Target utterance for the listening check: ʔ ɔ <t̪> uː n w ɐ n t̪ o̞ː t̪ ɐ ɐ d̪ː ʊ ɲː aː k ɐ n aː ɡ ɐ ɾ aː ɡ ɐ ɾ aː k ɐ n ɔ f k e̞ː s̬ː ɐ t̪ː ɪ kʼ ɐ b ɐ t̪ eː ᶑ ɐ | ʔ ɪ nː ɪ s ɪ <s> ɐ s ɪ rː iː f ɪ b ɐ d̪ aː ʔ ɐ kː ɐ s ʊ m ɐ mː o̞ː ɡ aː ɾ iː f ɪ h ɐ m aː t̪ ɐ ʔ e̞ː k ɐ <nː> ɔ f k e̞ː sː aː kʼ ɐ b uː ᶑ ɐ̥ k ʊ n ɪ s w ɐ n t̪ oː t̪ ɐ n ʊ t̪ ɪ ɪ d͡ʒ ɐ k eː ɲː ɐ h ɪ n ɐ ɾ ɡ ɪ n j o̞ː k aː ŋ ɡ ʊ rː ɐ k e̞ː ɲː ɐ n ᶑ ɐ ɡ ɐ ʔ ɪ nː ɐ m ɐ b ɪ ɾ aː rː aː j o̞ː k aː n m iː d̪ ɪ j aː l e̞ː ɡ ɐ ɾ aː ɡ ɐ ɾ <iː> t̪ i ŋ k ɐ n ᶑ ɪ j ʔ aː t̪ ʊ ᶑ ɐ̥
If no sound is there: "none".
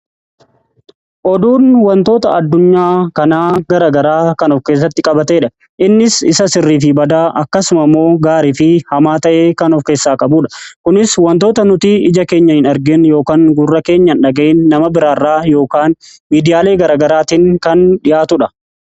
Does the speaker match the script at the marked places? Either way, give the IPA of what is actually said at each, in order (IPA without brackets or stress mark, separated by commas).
d̪, s, n, aː